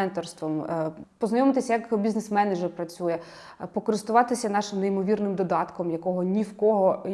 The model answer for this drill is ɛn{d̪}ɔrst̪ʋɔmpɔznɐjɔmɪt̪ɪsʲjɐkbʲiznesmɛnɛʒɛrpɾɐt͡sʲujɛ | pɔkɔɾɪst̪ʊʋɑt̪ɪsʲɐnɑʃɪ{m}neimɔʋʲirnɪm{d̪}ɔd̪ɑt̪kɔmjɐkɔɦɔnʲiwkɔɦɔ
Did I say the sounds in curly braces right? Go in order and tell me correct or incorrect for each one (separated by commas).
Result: incorrect, correct, correct